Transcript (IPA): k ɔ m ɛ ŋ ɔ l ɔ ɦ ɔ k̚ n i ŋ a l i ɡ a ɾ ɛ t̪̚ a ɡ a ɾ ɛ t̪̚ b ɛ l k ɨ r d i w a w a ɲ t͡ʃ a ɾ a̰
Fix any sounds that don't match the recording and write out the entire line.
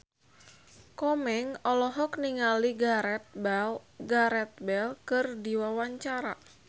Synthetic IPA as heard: k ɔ m ɛ ŋ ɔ l ɔ ɦ ɔ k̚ n i ŋ a l i ɡ a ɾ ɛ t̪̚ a ɡ a ɾ ɛ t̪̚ b ɛ l k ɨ r d i w a w a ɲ t͡ʃ a ɾ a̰